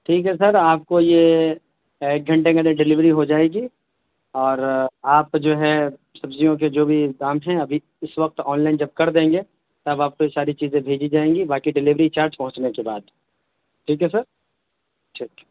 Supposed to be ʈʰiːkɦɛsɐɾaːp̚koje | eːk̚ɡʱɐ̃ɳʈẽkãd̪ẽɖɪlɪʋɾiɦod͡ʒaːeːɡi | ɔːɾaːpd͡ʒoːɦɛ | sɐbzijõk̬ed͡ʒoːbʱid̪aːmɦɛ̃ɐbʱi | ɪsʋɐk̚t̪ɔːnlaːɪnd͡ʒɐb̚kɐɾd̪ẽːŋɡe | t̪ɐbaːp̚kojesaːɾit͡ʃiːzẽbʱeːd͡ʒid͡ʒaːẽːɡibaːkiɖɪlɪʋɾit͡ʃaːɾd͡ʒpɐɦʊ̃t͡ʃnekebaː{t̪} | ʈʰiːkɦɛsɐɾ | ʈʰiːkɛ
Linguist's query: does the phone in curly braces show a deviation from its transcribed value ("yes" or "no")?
yes